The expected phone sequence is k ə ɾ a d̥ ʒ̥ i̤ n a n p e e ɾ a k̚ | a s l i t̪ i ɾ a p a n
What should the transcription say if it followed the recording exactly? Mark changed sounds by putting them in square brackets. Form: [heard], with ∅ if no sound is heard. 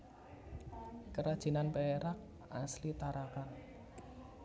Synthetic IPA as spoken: k ə ɾ a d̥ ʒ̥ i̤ n a n p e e ɾ a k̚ | a s l i t̪ [a] ɾ a [k] a n